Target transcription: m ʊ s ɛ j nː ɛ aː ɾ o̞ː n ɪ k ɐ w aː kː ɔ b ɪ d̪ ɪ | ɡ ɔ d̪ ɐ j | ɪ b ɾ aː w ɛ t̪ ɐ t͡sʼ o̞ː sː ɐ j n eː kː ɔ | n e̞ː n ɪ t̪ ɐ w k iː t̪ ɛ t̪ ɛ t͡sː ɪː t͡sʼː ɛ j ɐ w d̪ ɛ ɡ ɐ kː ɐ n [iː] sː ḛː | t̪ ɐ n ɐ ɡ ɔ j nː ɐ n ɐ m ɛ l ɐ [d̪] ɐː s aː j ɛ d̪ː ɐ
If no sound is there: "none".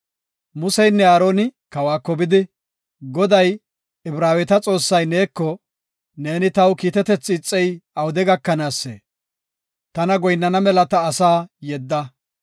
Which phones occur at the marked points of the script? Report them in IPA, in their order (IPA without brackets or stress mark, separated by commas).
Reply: aː, t̪